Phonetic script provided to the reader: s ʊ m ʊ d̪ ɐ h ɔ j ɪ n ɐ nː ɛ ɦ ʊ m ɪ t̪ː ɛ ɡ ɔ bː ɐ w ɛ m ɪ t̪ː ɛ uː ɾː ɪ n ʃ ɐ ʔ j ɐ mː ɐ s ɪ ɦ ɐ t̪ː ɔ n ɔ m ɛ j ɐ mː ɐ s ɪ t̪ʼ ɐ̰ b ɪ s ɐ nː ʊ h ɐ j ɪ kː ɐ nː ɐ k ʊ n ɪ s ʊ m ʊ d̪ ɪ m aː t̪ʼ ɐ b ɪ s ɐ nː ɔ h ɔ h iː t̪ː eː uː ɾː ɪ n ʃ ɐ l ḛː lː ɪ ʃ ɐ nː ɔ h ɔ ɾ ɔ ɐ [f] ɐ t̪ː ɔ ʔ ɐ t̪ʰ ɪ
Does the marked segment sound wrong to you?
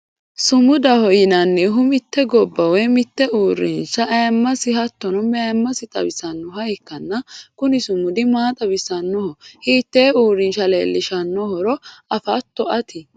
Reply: no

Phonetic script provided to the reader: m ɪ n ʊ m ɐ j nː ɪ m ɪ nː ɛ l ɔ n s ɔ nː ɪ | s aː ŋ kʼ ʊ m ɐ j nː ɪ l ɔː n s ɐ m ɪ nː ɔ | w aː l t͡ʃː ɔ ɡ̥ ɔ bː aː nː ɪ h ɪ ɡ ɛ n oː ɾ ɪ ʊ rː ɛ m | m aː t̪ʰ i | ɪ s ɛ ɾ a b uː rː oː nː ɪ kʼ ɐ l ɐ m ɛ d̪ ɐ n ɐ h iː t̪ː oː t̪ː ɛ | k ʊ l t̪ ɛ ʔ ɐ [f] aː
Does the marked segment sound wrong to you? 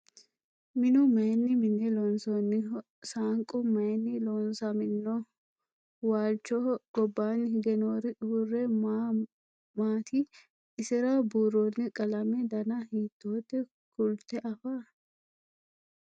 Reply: no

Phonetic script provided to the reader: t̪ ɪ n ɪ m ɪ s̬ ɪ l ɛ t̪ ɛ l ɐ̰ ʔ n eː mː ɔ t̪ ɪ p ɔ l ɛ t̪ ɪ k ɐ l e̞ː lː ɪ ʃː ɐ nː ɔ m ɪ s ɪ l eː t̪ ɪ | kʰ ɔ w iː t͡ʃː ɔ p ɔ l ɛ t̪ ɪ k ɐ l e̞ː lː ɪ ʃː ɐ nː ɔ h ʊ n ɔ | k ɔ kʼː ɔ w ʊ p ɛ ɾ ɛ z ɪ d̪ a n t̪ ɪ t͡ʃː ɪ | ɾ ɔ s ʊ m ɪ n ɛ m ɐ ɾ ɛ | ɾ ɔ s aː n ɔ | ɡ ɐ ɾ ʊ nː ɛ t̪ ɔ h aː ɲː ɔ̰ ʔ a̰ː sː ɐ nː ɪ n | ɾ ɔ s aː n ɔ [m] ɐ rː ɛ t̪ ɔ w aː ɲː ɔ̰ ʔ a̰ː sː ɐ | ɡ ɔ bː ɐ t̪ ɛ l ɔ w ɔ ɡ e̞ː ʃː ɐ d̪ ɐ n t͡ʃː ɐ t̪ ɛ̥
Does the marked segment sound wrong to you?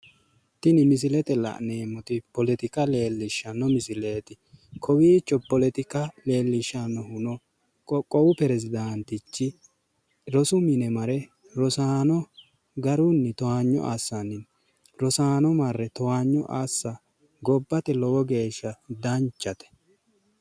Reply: no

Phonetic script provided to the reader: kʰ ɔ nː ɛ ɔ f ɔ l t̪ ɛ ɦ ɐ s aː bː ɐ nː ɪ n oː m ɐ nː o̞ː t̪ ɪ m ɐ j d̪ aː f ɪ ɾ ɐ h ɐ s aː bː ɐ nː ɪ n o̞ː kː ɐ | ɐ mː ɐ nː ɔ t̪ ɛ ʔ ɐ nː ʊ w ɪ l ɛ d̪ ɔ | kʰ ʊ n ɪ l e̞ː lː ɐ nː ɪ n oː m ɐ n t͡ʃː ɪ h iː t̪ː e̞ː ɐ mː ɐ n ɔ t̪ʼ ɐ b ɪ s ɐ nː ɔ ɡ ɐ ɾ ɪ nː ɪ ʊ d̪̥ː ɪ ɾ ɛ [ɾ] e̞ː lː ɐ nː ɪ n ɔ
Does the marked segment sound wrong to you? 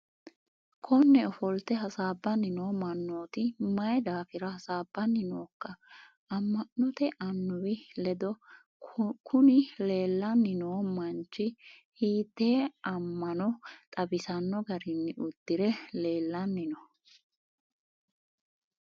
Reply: yes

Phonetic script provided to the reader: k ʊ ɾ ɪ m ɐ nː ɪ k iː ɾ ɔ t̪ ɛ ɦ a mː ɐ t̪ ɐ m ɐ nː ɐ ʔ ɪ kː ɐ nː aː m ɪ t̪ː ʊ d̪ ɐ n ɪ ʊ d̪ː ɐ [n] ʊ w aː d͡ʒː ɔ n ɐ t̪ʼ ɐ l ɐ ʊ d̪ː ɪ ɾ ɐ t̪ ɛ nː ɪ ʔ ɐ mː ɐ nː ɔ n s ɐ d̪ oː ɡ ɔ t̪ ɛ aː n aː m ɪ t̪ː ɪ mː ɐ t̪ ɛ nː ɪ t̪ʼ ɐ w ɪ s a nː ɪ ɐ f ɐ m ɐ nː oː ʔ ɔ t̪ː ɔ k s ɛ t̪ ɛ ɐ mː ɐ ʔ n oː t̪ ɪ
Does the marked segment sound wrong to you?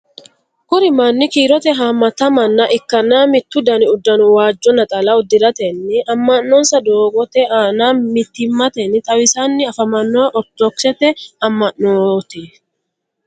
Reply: no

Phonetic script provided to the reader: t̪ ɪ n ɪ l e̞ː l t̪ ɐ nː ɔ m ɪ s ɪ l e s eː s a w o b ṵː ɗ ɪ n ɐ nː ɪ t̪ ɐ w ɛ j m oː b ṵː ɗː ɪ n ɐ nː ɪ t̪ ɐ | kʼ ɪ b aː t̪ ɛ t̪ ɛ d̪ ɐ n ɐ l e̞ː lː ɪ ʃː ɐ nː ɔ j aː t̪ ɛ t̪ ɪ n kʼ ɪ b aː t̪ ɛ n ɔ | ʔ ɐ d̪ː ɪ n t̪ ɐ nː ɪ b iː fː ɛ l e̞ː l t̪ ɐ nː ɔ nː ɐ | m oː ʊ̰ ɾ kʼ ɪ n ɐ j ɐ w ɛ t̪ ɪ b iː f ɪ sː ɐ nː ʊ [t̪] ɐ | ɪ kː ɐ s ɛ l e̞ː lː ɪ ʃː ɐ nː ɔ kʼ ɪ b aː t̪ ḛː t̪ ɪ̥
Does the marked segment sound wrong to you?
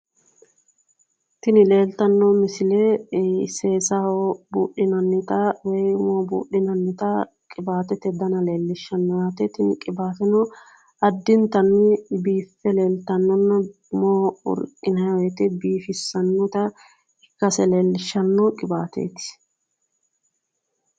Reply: no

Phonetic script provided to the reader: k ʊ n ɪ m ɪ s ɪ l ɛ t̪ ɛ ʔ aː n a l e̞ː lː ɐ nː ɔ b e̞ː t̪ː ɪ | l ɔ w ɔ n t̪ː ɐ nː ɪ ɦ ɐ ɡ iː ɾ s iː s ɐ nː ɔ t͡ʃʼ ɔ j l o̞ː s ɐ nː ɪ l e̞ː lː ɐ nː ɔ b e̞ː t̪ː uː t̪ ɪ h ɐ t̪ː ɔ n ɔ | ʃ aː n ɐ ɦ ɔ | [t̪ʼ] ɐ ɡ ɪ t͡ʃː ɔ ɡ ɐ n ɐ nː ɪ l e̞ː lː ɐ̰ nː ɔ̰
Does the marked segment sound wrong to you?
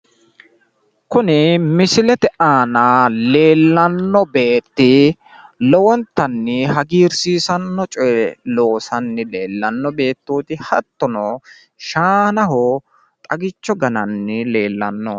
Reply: no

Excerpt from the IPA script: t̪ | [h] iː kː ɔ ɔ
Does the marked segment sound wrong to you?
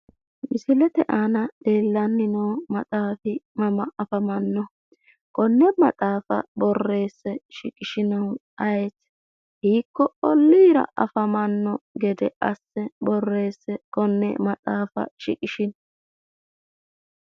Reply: no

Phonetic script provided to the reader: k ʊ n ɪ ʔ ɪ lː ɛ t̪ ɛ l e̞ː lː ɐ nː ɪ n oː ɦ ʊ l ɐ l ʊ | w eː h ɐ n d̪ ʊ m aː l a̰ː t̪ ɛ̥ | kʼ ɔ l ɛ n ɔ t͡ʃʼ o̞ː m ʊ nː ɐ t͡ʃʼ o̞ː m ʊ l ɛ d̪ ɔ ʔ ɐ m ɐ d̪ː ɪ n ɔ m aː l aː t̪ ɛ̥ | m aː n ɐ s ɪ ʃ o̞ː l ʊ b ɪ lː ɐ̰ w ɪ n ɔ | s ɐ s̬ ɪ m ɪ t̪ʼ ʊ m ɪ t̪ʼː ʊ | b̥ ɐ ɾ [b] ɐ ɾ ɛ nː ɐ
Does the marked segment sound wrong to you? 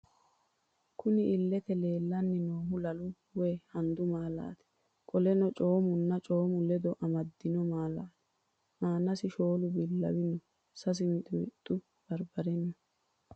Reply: no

